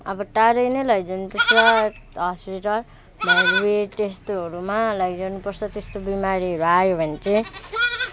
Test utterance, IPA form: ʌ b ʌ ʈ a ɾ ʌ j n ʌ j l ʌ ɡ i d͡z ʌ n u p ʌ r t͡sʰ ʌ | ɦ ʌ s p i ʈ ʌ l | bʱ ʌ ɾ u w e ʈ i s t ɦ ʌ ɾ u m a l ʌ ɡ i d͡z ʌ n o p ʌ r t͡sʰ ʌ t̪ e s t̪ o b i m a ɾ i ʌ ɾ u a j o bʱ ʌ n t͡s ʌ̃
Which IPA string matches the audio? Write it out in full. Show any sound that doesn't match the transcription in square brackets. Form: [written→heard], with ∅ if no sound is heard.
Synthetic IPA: ʌ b ʌ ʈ a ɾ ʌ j n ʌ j l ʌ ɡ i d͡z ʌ n u p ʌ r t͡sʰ ʌ | ɦ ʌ s p i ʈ ʌ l | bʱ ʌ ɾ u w e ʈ [i→e] s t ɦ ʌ ɾ u m a l ʌ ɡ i d͡z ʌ n [o→u] p ʌ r t͡sʰ ʌ t̪ e s t̪ o b i m a ɾ i ʌ ɾ u a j o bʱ ʌ n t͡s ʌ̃